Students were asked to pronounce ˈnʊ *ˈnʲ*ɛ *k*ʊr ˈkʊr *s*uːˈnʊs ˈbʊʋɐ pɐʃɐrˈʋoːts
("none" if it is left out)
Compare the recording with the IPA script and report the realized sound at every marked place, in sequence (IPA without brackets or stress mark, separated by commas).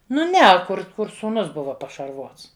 nʲ, k, s